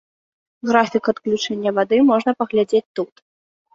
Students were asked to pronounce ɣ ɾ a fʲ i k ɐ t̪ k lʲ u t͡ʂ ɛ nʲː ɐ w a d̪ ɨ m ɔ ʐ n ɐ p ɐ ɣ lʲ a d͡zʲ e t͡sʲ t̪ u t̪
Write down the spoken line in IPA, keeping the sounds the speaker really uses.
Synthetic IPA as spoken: ɣ ɾ a fʲ i k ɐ t̪ k lʲ u t͡ʂ ɛ nʲː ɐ v a d̪ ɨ m ɔ ʐ n ɐ p ɐ ɣ lʲ a d͡zʲ e t͡sʲ t̪ u t̪